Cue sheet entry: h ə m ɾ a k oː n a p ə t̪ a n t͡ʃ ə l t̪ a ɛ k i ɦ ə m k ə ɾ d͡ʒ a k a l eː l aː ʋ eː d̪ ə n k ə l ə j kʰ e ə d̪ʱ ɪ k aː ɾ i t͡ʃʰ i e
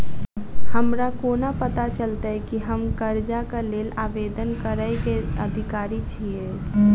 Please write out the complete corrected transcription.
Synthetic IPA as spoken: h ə m ɾ a k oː n a p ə t̪ a t͡ʃ ə l t̪ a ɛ k i ɦ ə m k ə ɾ d͡ʒ a k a l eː l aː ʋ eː d̪ ə n k ə ɾ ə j k e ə d̪ʱ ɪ k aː ɾ i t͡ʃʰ i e